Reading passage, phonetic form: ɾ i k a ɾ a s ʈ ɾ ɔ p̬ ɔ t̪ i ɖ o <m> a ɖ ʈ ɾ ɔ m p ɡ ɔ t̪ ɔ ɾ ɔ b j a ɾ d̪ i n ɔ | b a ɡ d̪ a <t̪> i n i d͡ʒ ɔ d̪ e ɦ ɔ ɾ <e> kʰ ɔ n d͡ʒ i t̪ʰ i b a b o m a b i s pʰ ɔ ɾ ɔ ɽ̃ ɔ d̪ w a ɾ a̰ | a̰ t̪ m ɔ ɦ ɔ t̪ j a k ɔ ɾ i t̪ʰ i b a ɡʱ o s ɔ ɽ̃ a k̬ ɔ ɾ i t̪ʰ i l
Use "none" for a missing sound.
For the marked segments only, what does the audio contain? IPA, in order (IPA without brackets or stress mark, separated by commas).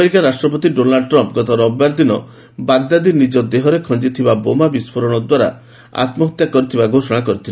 n, d̪, e